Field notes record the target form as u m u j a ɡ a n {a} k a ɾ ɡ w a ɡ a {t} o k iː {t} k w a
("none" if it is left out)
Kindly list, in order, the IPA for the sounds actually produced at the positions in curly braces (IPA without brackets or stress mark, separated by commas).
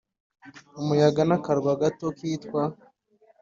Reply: a, t, t